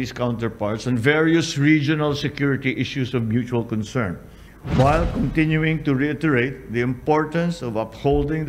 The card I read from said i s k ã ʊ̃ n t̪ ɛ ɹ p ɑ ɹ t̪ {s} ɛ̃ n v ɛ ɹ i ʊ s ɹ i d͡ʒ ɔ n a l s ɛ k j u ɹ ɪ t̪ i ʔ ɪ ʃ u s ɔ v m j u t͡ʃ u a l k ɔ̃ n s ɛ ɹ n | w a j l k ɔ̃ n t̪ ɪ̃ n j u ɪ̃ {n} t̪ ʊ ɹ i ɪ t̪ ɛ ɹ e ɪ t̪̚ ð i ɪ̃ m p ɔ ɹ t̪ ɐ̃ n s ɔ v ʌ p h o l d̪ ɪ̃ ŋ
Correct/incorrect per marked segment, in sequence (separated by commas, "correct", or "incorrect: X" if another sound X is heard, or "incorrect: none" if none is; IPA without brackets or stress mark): correct, incorrect: ŋ